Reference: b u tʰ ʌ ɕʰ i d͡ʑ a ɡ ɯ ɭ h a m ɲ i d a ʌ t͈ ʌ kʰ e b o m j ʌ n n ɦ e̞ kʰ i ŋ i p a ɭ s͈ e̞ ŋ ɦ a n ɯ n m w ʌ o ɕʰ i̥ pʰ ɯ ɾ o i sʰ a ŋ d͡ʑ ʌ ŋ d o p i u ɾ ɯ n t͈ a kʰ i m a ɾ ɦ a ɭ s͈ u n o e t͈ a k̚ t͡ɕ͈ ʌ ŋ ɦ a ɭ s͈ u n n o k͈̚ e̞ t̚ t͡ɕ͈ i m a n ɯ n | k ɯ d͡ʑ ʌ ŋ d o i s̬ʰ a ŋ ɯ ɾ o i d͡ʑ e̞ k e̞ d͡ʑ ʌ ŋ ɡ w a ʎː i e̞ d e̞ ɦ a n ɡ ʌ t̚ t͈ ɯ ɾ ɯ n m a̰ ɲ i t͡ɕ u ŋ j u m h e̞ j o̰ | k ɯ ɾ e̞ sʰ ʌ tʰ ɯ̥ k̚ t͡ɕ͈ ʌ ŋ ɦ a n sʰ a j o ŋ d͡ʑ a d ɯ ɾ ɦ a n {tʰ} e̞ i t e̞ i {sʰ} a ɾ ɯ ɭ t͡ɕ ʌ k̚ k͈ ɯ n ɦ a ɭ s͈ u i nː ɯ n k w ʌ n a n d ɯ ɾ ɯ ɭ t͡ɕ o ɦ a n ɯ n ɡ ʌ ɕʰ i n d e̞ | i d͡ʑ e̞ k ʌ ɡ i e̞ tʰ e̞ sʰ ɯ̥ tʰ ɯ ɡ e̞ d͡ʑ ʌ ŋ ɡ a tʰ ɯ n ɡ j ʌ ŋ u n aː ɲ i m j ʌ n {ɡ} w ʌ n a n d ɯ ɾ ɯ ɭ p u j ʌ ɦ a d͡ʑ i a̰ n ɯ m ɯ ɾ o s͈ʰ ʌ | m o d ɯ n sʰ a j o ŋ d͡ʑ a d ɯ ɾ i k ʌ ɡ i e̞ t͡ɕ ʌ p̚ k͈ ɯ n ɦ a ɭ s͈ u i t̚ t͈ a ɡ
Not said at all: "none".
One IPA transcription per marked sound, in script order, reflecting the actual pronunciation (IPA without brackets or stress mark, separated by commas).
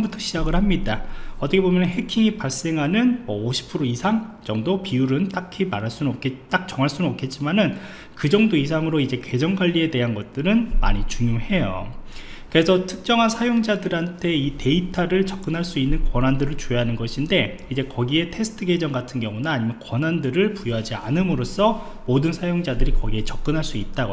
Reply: tʰ, tʰ, k